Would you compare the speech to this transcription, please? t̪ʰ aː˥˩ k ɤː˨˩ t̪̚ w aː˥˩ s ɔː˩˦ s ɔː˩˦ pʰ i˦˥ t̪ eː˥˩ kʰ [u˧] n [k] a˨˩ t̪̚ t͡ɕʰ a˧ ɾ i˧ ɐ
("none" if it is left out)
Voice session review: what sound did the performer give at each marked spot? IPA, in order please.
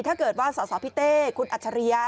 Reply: u˧, ʔ

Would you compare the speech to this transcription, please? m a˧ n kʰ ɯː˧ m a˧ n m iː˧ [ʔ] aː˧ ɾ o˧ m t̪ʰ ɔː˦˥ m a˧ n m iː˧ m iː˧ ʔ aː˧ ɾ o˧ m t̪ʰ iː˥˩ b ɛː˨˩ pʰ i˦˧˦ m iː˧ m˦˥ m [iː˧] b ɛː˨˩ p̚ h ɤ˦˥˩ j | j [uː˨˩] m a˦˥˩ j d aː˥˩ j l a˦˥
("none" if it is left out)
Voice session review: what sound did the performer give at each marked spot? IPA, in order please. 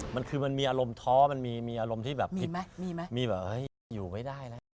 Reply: ʔ, iː˧, uː˨˩

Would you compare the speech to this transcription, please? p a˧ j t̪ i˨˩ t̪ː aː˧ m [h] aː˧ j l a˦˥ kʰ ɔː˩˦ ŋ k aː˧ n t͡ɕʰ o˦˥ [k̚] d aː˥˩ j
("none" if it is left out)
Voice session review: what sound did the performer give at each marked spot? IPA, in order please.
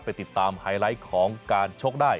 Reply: h, k̚

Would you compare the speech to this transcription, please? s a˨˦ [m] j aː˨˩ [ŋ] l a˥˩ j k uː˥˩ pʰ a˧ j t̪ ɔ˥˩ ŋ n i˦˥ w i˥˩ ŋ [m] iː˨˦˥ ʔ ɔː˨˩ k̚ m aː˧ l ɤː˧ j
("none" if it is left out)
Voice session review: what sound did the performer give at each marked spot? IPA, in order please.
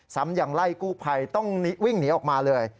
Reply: m, ŋ, n

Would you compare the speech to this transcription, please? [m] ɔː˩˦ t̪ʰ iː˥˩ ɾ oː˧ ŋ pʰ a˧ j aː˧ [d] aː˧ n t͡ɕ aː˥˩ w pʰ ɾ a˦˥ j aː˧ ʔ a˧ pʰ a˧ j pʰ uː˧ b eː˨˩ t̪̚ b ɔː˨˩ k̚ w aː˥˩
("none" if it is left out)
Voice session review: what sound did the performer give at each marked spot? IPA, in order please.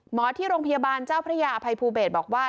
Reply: m, b

